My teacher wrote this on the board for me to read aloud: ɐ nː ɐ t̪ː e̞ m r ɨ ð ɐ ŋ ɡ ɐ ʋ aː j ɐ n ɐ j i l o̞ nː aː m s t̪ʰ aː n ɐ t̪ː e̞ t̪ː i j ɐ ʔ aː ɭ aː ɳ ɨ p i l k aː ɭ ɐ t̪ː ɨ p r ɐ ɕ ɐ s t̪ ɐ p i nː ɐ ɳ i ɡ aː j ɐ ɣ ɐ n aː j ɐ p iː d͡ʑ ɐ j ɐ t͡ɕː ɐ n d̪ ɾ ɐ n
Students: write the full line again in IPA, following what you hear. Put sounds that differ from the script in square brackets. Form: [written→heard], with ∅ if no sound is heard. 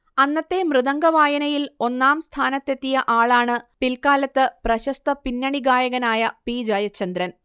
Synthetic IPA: ɐ nː ɐ t̪ː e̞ m r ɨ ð ɐ ŋ ɡ ɐ ʋ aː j ɐ n ɐ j i l o̞ nː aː m s t̪ʰ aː n ɐ t̪ː e̞ t̪ː i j ɐ ʔ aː ɭ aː ɳ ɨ p i l k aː [ɭ→l] ɐ t̪ː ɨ p r ɐ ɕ ɐ s t̪ ɐ p i nː ɐ ɳ i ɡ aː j ɐ ɣ ɐ n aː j ɐ p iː d͡ʑ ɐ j ɐ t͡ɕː ɐ n d̪ ɾ ɐ n